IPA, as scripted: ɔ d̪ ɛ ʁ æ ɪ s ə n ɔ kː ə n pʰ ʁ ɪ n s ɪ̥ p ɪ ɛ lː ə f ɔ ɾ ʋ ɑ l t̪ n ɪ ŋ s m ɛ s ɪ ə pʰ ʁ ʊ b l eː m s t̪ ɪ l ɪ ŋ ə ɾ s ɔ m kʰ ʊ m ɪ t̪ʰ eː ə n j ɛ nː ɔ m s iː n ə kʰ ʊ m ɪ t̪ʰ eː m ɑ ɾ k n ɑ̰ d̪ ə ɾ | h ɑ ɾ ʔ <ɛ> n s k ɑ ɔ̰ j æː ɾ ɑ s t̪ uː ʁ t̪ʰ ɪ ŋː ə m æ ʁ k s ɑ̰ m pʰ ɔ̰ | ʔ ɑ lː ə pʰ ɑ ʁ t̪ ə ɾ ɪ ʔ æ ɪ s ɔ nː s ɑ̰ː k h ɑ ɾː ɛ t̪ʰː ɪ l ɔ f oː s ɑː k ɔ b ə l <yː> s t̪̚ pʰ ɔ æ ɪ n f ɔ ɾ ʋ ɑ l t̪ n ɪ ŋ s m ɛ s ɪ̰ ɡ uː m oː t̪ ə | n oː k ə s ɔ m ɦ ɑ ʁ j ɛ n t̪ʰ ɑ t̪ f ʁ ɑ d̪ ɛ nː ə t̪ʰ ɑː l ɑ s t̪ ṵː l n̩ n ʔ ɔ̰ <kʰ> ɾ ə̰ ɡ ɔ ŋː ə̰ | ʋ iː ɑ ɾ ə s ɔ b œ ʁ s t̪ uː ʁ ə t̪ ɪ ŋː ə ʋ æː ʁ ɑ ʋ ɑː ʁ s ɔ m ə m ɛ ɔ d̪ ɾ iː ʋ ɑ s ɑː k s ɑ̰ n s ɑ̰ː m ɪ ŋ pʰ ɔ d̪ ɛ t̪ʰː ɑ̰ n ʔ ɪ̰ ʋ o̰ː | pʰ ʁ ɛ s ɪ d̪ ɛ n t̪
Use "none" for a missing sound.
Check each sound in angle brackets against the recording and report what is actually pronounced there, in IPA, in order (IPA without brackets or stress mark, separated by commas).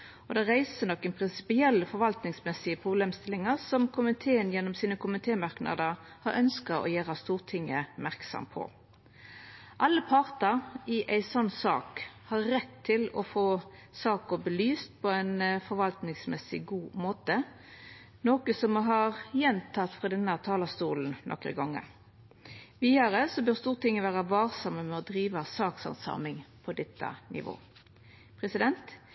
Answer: œ, yː, k